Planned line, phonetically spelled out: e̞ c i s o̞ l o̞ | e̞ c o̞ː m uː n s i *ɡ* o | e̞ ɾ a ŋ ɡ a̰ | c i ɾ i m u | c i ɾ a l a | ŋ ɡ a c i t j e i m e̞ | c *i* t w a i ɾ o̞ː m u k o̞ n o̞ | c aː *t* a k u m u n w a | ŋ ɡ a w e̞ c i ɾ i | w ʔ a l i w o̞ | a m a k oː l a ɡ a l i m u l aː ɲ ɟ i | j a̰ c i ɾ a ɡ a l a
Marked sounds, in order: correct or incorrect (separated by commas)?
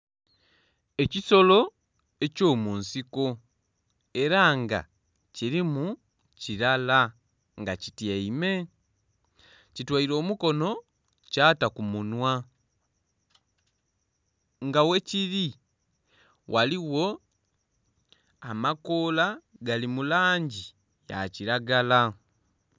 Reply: incorrect, correct, correct